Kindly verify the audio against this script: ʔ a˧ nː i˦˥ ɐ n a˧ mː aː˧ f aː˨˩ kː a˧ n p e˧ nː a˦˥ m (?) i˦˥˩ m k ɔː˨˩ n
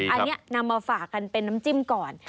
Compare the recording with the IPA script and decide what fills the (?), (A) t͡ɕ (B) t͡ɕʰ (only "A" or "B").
A